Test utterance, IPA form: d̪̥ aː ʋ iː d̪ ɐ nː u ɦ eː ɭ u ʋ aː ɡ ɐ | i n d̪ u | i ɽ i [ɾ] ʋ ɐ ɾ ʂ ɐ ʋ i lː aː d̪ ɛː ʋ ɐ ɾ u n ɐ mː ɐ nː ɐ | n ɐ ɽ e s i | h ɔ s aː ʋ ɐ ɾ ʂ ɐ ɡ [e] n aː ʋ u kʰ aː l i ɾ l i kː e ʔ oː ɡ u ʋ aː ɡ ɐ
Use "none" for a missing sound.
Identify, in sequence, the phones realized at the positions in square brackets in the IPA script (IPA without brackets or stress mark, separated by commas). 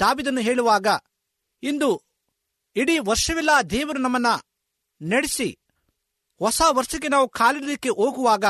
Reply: none, e